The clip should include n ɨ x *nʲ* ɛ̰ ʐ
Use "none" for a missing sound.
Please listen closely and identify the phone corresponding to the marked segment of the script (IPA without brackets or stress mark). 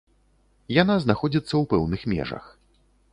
mʲ